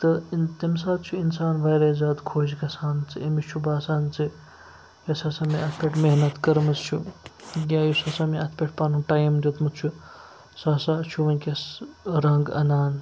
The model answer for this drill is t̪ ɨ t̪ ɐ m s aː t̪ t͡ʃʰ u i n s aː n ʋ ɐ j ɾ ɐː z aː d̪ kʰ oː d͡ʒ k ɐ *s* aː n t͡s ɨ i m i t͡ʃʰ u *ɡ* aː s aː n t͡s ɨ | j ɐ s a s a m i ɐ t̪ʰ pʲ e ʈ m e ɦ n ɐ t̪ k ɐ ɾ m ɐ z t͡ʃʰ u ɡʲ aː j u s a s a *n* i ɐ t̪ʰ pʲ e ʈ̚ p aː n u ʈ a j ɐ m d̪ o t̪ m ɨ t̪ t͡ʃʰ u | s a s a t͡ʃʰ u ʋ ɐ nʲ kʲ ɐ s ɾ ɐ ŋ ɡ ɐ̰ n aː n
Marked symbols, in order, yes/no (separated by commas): yes, no, no